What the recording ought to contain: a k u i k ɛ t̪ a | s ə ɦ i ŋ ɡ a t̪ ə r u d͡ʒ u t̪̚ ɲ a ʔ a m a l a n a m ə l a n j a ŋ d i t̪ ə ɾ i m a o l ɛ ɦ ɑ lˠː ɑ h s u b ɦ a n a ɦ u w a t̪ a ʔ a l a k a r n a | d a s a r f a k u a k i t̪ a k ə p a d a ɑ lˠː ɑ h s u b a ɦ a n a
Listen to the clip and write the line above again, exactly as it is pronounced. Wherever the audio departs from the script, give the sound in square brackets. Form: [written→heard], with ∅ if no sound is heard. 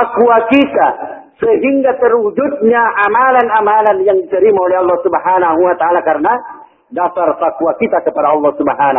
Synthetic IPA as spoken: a k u [i→a] k [ɛ→i] t̪ a | s ə ɦ i ŋ ɡ a t̪ ə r u d͡ʒ u t̪̚ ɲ a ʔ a m a l a n a m [ə→a] l a n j a ŋ d i t̪ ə ɾ i m a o l ɛ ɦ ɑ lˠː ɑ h s u b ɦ a n a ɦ u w a t̪ a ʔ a l a k a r n a | d a s a r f a k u a k i t̪ a k ə p a d a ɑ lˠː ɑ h s u b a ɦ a n a